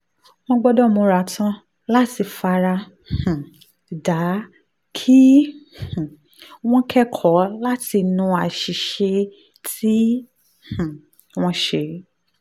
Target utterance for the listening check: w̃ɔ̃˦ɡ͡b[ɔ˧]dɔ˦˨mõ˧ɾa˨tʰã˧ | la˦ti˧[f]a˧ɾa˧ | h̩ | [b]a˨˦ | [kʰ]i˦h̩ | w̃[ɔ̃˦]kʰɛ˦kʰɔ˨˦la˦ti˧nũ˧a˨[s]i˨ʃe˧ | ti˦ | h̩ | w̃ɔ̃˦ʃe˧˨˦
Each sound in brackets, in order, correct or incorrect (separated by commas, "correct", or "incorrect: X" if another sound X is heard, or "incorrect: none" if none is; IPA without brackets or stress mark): correct, correct, incorrect: d, correct, correct, incorrect: ʃ